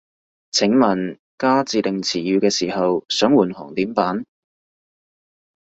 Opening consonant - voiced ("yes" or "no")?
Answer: no